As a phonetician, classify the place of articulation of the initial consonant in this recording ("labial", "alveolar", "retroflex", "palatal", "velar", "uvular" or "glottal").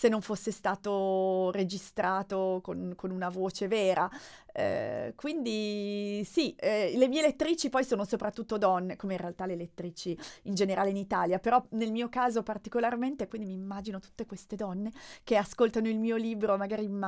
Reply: alveolar